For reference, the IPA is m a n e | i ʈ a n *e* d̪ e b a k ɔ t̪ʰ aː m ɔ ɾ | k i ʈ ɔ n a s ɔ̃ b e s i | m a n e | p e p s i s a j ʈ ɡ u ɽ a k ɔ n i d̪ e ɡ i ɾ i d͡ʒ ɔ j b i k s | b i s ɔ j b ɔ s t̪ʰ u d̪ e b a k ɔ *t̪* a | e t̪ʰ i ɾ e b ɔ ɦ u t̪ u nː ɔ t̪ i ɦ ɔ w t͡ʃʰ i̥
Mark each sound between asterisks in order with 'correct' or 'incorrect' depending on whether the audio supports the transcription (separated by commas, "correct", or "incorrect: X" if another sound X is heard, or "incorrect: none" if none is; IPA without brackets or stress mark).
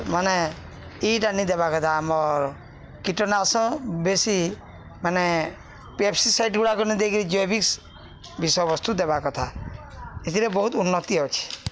incorrect: i, incorrect: t̪ʰ